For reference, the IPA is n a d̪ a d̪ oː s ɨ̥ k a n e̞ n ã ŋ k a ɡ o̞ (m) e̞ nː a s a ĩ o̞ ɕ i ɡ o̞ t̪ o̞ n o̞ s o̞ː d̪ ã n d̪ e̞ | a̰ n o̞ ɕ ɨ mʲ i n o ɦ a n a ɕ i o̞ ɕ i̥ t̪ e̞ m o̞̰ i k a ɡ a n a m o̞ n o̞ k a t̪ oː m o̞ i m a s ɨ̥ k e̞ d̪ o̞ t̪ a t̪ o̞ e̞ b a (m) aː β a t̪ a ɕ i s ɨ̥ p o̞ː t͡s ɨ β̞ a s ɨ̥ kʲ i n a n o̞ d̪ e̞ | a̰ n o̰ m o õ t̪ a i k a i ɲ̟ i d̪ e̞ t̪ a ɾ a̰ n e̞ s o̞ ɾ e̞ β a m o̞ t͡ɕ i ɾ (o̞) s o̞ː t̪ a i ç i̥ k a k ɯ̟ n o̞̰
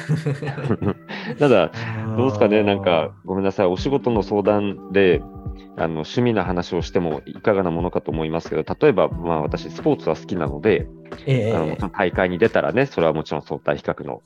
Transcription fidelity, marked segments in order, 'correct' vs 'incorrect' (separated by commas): correct, correct, incorrect